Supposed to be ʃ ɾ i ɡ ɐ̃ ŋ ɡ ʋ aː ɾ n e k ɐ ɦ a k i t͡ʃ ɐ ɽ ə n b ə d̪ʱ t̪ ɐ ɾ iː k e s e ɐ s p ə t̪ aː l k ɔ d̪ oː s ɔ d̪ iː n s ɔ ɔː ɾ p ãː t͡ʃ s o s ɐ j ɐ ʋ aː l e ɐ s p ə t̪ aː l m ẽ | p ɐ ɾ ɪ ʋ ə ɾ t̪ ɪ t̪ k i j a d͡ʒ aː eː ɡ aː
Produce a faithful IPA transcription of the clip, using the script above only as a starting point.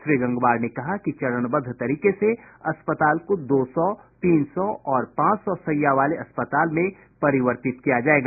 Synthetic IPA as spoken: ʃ ɾ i ɡ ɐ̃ ŋ ɡ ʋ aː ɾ n e k ɐ ɦ a k i t͡ʃ ɐ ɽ ə n b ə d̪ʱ t̪ ɐ ɾ iː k e s e ɐ s p ə t̪ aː l k o d̪ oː s ɔ t̪ iː n s ɔ ɔː ɾ p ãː t͡ʃ s ɔ s ɐ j a ʋ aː l e ɐ s p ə t̪ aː l m ẽ | p ɐ ɾ ɪ ʋ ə ɾ t̪ ɪ t̪ k i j a d͡ʒ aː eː ɡ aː

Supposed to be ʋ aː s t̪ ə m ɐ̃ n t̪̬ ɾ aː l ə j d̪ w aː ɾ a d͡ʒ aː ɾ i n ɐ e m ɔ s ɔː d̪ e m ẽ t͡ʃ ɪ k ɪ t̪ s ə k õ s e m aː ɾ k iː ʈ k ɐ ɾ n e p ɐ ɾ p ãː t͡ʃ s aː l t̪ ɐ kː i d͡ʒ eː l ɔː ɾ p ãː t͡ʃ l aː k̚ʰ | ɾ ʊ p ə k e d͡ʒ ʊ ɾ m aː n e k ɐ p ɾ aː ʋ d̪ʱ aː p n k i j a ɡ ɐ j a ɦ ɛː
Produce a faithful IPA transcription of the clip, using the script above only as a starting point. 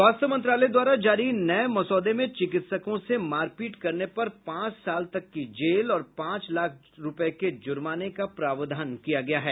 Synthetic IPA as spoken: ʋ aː s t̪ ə m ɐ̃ n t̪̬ ɾ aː l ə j d̪ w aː ɾ a d͡ʒ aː ɾ i n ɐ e m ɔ s ɔː d̪ e m ẽ t͡ʃ ɪ k ɪ t̪ s ə k õ s e m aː ɾ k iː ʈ k ɐ ɾ n e p ɐ ɾ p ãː t͡ʃ s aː l t̪ ɐ kː i d͡ʒ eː l ɔː ɾ p ãː t͡ʃ l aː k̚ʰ | ɾ ʊ p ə k e d͡ʒ ʊ ɾ m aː n e k a p ɾ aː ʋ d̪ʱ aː n k i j a ɡ ɐ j a ɦ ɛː

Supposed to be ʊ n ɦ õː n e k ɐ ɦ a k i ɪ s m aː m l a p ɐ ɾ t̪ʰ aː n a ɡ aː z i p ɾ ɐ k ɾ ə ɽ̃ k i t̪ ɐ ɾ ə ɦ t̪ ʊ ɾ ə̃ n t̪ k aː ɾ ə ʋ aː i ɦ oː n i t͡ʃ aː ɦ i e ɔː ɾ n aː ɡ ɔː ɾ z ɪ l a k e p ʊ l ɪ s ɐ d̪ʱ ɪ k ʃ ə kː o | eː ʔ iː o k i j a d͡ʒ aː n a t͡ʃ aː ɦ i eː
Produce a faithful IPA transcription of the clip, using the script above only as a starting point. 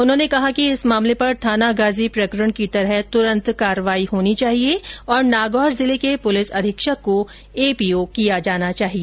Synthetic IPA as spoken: ʊ n ɦ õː n e k ɐ ɦ a k i ɪ s m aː m l e p ɐ ɾ t̪ʰ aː n a ɡ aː z i p ɾ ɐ k ɾ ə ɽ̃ k i t̪ ɐ ɾ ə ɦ t̪ ʊ ɾ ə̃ n t̪ k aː ɾ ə ʋ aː i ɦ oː n i t͡ʃ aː ɦ i e ɔː ɾ n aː ɡ ɔː ɾ z ɪ l e k e p ʊ l ɪ s ɐ d̪ʱ ɪ k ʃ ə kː o | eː p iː o k i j a d͡ʒ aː n a t͡ʃ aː ɦ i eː

